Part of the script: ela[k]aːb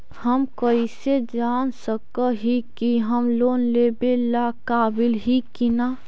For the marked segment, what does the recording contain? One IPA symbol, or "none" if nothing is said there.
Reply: k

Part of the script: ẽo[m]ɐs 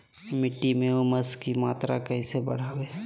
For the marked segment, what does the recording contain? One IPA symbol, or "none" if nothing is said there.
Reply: m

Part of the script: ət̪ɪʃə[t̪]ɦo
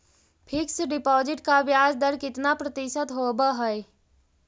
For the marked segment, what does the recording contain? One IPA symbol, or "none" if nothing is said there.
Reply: t̪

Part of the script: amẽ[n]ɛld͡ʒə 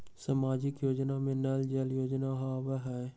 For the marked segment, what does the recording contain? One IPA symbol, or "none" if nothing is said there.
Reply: n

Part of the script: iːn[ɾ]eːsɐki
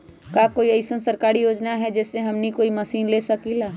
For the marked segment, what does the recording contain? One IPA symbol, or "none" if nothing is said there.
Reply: l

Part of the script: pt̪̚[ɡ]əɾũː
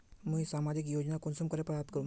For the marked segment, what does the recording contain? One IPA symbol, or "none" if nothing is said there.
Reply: k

